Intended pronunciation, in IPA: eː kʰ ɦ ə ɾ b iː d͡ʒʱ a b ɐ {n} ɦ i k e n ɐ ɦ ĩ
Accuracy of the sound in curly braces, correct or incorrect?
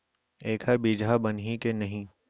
correct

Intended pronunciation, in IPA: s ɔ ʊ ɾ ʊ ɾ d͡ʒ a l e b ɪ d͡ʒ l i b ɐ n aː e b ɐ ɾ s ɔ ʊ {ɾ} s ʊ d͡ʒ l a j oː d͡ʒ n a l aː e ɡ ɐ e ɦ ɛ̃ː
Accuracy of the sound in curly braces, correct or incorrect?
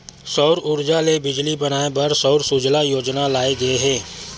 correct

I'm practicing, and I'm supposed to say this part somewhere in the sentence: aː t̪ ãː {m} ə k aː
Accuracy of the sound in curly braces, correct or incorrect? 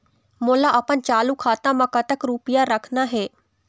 correct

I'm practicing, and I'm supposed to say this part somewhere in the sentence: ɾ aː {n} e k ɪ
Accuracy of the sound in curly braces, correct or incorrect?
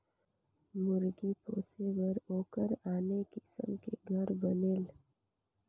correct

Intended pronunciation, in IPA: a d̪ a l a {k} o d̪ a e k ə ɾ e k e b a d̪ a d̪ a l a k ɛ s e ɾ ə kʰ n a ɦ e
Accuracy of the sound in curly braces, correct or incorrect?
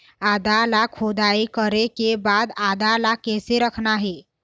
incorrect: kʰ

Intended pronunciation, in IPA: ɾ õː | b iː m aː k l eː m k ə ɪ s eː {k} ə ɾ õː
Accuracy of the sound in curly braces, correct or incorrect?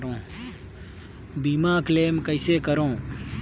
correct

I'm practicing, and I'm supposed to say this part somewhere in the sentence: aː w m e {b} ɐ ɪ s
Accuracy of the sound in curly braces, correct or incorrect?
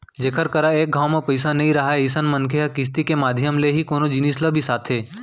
incorrect: p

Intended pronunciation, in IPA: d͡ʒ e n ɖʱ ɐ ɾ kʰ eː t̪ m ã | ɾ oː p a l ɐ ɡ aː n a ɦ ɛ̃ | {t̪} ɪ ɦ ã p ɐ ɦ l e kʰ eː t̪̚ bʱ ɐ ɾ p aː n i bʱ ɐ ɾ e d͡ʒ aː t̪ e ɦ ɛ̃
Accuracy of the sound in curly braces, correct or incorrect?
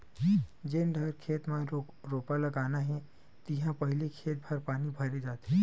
correct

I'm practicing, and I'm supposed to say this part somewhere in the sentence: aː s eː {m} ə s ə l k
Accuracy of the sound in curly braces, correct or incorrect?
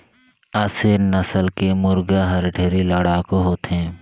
incorrect: n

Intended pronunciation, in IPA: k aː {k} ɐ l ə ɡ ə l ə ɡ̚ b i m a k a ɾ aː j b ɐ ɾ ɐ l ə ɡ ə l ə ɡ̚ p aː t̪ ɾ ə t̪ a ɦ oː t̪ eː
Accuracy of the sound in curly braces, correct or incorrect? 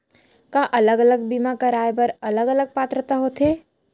incorrect: ʔ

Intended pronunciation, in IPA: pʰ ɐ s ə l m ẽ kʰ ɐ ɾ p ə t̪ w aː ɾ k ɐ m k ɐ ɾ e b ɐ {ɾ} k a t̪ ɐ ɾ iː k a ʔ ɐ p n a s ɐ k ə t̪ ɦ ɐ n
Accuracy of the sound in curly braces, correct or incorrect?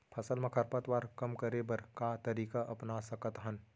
correct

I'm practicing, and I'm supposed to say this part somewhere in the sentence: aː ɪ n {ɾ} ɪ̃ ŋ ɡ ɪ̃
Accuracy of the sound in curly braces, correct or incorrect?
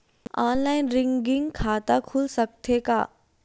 correct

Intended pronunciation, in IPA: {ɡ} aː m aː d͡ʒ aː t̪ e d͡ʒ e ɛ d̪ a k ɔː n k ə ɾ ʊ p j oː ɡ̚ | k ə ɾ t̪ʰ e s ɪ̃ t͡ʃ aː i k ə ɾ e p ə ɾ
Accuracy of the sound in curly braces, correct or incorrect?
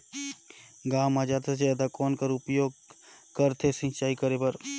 correct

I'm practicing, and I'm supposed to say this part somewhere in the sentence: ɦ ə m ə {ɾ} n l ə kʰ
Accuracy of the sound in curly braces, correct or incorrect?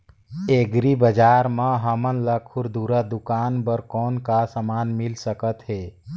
incorrect: none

